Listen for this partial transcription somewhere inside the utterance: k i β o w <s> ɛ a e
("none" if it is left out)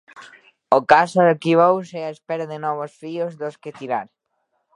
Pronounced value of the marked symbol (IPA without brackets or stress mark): s